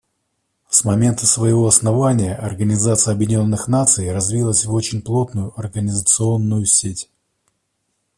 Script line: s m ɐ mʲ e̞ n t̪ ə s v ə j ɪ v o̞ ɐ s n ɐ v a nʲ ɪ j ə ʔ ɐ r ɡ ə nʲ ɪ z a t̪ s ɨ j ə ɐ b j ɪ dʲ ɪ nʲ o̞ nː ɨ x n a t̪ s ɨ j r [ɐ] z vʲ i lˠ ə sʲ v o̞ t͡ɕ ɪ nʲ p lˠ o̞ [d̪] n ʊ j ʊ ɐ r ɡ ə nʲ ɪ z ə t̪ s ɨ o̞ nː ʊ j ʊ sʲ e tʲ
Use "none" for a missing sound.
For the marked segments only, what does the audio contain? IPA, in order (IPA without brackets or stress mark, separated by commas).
ɐ, t̪